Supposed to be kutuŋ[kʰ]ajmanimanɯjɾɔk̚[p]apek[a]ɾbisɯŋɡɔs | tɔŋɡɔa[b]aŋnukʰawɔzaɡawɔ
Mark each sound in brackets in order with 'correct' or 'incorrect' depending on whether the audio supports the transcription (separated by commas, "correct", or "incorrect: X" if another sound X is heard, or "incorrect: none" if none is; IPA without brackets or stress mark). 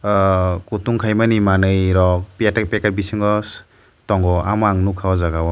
correct, correct, correct, incorrect: m